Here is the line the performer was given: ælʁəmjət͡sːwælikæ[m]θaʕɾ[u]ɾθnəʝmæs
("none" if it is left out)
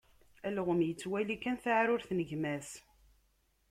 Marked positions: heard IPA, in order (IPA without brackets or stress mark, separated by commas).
n, ʊ